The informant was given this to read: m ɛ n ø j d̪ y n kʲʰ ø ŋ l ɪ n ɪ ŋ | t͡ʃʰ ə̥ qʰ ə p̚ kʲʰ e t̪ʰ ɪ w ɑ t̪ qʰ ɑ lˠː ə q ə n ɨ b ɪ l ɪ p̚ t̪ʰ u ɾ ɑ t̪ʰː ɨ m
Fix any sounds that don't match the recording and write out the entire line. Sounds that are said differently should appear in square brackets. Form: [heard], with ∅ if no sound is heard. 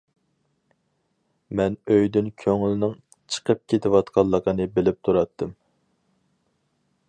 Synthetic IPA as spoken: m ɛ n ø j d̪ y n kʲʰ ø ŋ l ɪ n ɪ ŋ | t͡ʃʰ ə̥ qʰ ə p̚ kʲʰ e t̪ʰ ɪ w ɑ t̪ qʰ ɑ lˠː ə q ə n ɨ b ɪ l ɪ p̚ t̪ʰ u ɾ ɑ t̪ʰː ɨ m